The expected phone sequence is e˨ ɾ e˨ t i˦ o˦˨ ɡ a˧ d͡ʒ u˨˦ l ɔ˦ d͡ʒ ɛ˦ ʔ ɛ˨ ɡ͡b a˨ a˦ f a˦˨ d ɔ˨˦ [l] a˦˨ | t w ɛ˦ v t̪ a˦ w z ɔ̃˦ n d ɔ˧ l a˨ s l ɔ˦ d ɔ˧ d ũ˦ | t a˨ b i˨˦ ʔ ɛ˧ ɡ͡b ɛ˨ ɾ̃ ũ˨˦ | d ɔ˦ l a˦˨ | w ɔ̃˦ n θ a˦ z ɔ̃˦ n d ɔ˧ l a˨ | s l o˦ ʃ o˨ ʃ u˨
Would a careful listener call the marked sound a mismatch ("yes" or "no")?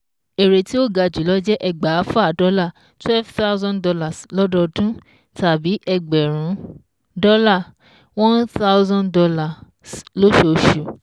no